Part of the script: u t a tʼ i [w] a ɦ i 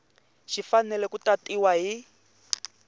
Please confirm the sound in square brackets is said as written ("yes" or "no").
yes